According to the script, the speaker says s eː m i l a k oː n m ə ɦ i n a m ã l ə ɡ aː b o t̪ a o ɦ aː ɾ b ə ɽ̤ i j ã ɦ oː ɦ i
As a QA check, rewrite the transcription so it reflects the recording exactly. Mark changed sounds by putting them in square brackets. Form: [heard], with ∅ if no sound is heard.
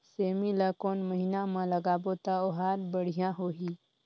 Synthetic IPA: s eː m i l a k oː n m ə ɦ i n a m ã l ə ɡ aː b o t̪ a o ɦ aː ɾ b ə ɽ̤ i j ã ɦ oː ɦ i